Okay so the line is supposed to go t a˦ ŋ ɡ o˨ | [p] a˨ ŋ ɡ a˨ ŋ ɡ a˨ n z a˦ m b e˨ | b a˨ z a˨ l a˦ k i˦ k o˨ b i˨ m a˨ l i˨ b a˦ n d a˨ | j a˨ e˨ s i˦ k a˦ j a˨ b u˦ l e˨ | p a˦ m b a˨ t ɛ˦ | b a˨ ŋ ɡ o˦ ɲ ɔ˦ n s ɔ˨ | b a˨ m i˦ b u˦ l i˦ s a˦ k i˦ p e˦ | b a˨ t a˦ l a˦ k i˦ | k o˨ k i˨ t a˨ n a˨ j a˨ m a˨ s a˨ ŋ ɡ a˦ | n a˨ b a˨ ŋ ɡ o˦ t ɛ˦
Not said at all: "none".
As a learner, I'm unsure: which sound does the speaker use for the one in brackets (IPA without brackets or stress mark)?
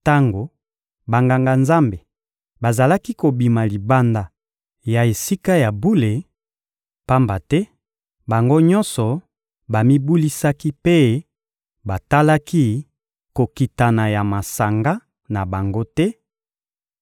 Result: b